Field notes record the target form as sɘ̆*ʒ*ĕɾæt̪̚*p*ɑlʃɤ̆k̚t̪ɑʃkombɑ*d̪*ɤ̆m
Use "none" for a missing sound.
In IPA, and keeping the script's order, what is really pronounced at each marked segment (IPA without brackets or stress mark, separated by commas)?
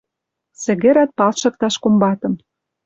ɣ, p, t̪